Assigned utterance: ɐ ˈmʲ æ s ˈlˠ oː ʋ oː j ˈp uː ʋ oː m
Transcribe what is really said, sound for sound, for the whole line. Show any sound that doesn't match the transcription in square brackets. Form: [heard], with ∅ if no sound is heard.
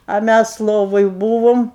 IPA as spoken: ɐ ˈmʲ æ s ˈlˠ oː ʋ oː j [ˈb] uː ʋ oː m